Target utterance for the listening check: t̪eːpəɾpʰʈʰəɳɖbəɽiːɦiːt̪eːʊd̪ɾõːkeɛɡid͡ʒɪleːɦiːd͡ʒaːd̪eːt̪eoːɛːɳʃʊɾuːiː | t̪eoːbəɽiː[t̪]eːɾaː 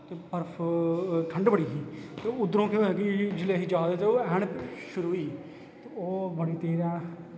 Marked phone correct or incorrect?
correct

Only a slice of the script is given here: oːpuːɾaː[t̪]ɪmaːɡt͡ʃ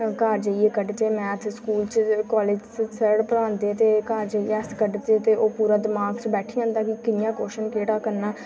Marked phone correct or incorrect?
incorrect: d̪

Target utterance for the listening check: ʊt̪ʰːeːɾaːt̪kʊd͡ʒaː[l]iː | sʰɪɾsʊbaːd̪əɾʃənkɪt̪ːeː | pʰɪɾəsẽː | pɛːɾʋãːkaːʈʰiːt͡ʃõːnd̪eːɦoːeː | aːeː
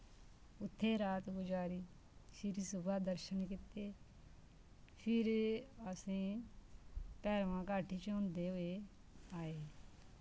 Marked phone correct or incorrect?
incorrect: ɾ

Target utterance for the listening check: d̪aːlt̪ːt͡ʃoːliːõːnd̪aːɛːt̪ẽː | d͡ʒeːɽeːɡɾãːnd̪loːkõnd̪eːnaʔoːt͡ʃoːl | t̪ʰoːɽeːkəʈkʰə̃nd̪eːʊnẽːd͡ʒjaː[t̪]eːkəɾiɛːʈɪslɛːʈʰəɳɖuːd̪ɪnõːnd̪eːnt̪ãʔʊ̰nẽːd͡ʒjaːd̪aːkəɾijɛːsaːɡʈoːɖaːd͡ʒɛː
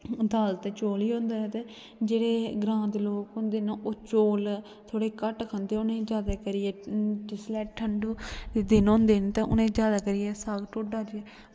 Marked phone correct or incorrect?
incorrect: d̪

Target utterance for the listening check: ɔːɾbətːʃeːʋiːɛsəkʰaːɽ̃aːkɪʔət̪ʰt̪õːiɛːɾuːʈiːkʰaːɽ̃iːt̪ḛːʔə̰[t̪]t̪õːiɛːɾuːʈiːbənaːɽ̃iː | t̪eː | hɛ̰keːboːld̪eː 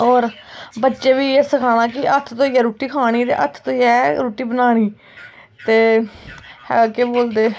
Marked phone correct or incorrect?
incorrect: t̪ʰ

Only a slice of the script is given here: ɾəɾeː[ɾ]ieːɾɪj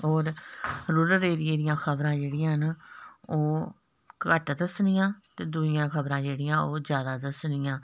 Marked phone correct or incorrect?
correct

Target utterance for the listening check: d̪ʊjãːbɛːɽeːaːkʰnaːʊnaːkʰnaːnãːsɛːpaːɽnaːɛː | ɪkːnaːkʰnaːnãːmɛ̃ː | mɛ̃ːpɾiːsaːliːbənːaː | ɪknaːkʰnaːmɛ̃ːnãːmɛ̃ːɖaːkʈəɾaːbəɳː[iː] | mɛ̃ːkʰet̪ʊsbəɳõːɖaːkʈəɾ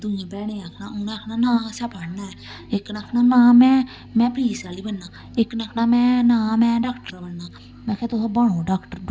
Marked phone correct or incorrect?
incorrect: aː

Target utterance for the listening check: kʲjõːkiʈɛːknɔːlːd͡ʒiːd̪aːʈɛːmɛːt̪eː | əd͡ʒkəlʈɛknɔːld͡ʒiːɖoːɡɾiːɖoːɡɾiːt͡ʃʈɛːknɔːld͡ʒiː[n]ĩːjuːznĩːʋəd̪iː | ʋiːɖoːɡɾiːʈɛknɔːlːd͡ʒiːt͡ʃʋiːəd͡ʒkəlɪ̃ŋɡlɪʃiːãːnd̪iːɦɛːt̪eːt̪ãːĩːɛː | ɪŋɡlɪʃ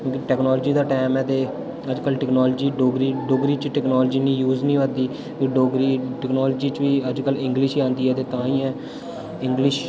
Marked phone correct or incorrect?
correct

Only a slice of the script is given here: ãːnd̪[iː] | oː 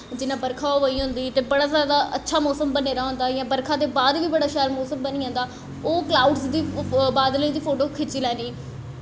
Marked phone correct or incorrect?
incorrect: aː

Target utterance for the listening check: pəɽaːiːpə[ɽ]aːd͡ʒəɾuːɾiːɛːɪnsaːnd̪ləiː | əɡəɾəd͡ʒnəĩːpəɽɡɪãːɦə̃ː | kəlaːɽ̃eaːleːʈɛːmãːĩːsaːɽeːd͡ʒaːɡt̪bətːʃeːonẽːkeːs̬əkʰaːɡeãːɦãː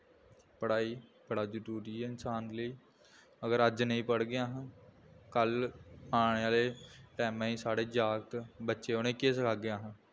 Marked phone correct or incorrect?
correct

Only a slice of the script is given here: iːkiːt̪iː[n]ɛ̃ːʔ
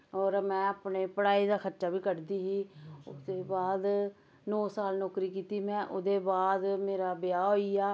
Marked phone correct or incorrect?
incorrect: m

